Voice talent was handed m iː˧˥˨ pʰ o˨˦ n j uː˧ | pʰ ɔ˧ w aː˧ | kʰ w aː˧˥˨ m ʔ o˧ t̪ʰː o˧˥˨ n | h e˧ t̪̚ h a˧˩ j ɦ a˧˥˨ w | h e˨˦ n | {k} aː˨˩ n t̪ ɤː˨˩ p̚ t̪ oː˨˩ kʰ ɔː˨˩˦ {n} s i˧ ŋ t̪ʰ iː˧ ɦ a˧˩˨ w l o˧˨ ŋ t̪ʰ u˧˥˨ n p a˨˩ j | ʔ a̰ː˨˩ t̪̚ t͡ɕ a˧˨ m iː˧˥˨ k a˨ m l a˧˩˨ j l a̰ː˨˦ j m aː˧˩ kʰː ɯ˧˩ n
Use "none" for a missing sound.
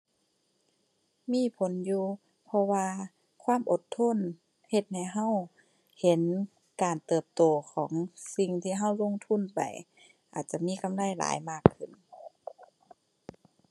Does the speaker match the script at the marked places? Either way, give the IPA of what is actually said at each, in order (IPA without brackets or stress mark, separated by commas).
k, ŋ